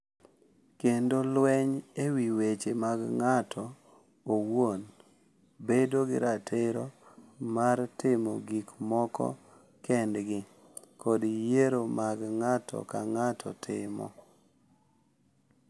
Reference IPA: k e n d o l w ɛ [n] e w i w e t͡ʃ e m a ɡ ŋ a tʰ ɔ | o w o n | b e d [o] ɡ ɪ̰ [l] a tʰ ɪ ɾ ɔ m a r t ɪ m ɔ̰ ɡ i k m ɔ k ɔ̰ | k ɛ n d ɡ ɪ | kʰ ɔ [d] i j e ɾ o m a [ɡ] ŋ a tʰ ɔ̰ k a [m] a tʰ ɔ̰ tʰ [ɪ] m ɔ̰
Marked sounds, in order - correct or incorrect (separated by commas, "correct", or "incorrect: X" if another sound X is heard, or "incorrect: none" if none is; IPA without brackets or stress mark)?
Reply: incorrect: ɲ, correct, incorrect: ɾ, correct, correct, incorrect: ŋ, correct